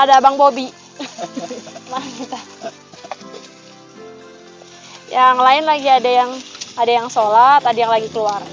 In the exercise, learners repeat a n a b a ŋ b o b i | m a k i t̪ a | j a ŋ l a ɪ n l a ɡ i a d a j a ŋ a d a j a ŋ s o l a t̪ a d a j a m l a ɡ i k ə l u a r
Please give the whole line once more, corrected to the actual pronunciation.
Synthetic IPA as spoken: a d a b a ŋ b o b i | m a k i t̪ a | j a ŋ l a ɪ n l a ɡ i a d a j a ŋ a d a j a ŋ s o l a t̪ a d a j a ŋ l a ɡ i k ə l u a r